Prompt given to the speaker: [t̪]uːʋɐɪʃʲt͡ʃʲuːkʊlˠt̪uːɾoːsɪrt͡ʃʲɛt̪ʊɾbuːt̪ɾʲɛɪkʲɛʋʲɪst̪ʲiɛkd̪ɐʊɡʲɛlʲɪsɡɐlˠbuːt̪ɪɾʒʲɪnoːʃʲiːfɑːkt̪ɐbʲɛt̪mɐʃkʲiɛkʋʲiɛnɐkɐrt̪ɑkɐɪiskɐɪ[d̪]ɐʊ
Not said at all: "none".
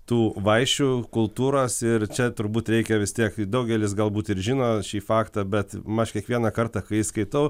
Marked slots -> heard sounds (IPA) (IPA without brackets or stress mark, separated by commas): t̪, t̪